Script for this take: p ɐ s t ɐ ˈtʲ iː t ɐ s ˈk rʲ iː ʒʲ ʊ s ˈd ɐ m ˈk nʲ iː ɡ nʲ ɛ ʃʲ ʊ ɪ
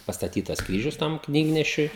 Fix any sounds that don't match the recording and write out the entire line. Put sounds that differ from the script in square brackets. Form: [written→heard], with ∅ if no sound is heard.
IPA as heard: p ɐ s t ɐ ˈtʲ iː t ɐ s ˈk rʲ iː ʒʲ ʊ s [ˈd→ˈt] ɐ m ˈk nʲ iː ɡ nʲ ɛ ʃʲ ʊ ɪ